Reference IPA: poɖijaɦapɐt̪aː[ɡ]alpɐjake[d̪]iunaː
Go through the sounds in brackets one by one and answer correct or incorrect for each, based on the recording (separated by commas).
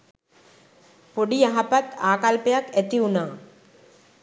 incorrect, incorrect